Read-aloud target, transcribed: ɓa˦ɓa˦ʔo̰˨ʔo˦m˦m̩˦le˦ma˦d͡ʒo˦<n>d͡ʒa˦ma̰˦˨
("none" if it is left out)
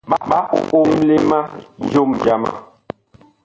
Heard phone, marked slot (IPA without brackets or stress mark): m